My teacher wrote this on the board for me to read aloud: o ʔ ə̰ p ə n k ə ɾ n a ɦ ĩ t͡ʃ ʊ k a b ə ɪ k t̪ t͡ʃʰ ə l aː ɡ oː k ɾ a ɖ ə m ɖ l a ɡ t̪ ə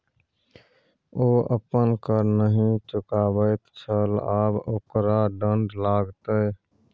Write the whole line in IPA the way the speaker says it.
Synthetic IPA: o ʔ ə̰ p ə n k ə ɾ n ə ɦ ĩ t͡ʃ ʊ k a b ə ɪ t̪ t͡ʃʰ ə l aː b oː k ɾ a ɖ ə ɳ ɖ l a ɡ t̪ ə